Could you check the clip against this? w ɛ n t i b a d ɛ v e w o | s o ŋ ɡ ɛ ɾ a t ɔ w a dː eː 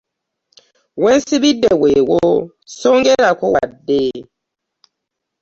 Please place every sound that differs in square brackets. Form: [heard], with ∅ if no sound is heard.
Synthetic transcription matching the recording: w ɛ n [s] i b [i] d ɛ [w] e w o | s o ŋ ɡ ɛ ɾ a [k] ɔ w a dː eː